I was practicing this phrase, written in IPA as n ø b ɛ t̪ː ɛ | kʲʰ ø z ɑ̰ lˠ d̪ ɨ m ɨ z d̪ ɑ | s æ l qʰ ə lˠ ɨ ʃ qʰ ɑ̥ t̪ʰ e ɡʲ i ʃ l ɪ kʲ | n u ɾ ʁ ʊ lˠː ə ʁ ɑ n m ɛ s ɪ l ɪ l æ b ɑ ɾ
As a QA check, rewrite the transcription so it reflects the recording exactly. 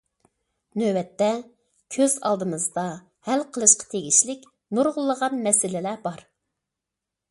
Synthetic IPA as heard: n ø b ɛ t̪ː ɛ | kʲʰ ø z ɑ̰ lˠ d̪ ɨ m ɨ z d̪ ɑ | h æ l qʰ ə lˠ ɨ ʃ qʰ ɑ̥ t̪ʰ e ɡʲ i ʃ l ɪ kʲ | n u ɾ ʁ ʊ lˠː ə ʁ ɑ n m ɛ s ɪ l ɪ l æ b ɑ ɾ